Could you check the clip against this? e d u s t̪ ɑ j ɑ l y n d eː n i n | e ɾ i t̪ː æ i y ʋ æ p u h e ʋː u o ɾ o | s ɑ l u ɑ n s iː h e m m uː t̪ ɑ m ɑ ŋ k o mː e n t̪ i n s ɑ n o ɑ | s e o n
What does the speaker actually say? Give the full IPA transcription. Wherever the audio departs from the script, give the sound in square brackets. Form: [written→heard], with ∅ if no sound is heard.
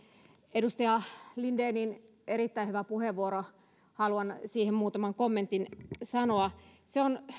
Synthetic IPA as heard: e d u s t̪ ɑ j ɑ l [y→i] n d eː n i n | e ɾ i t̪ː æ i y ʋ æ p u h e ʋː u o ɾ o | [s→h] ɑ l u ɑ n s iː h e m m uː t̪ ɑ m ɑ ŋ k o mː e n t̪ i n s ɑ n o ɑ | s e o n